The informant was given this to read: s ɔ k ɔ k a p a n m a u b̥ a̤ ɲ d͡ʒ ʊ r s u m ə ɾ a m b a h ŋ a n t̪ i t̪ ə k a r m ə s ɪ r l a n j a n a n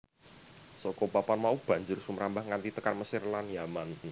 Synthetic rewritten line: s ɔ k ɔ p a p a n m a u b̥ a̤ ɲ d͡ʒ ʊ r s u m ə ɾ a m b a h ŋ a n t̪ i t̪ ə k a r m ə s ɪ r l a n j a m a n

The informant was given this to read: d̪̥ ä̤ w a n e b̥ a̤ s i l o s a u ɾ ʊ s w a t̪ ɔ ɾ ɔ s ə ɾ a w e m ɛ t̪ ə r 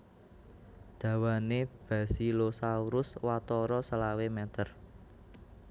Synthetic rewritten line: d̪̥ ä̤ w a n e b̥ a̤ s i l o s a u ɾ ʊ s w a t̪ ɔ ɾ ɔ s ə l a w e m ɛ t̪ ə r

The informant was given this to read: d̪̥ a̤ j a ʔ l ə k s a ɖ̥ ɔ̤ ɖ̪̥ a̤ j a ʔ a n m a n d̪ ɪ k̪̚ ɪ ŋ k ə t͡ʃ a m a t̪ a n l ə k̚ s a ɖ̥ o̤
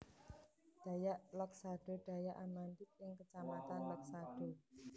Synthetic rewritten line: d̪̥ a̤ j a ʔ l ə k s a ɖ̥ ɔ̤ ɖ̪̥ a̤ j a ʔ a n m a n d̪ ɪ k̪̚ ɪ ŋ k ə t͡ʃ a m a t̪ a n l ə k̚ s a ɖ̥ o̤

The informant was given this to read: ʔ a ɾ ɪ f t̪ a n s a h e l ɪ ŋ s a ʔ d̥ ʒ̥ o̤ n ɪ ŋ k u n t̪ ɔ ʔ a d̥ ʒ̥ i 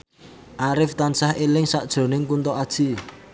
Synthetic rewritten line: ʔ a ɾ ɪ f t̪ a n s a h e l ɪ ŋ s a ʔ d̥ ʒ̥ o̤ n ɪ ŋ k u n t̪ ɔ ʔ a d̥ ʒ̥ i

